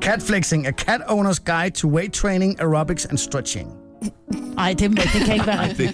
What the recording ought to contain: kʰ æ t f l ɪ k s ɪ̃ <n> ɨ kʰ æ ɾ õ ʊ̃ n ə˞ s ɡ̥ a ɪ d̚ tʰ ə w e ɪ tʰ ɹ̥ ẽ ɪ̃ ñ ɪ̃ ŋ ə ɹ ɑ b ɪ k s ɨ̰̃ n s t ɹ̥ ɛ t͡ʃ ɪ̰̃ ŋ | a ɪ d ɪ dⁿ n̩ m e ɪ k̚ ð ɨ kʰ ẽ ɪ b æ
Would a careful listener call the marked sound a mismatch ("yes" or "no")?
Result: yes